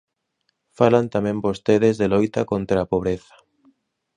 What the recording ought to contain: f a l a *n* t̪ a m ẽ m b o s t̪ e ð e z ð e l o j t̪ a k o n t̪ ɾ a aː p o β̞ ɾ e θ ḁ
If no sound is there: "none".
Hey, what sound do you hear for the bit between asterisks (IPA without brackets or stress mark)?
n